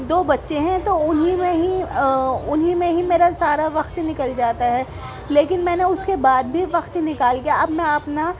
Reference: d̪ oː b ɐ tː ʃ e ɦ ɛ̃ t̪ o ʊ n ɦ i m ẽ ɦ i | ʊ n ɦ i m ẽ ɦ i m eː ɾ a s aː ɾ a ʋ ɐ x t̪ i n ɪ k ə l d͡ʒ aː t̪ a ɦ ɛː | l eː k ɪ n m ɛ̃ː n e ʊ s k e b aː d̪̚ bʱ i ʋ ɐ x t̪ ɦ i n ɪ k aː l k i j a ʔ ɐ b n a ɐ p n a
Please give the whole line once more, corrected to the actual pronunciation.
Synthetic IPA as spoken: d̪ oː b ɐ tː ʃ e ɦ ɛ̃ t̪ o ʊ n ɦ i m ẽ ɦ i | ʊ n ɦ i m ẽ ɦ i m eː ɾ a s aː ɾ a ʋ ɐ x t̪ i n ɪ k ə l d͡ʒ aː t̪ a ɦ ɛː | l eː k ɪ n m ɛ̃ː n e ʊ s k e b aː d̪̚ bʱ i ʋ ɐ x t̪ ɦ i n ɪ k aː l k i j a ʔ ɐ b n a ɐ p n a